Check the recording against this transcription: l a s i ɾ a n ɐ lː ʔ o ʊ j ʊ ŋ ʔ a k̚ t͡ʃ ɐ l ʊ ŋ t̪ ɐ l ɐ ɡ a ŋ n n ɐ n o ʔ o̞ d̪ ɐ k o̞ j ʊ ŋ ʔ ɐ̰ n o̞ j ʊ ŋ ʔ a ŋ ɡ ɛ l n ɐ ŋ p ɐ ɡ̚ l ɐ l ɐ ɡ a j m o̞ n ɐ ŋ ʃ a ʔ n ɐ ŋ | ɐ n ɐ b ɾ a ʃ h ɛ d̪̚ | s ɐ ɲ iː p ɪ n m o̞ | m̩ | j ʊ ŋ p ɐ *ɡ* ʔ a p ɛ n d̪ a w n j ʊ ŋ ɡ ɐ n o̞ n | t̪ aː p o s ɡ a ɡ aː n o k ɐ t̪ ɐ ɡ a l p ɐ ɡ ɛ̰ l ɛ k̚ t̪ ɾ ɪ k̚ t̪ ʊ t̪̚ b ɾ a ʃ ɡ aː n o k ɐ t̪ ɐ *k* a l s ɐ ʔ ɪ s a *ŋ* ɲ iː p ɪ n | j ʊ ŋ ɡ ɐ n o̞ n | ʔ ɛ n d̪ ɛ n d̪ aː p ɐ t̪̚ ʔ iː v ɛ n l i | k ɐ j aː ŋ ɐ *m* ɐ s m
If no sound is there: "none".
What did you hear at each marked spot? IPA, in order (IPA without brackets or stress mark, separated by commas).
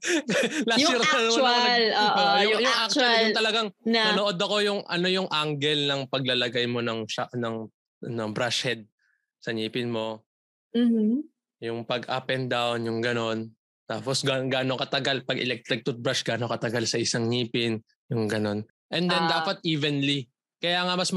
ɡ, ɡ, ŋ, m